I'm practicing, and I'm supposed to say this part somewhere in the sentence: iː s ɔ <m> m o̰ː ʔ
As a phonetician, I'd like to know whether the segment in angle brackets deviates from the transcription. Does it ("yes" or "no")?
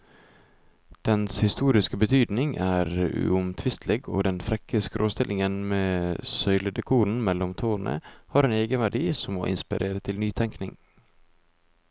no